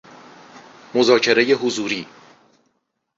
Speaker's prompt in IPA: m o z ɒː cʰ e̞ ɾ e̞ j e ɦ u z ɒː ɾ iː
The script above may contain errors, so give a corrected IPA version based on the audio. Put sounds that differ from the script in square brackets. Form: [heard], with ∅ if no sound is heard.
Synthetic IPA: m o z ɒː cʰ e̞ ɾ e̞ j e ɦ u z [uː] ɾ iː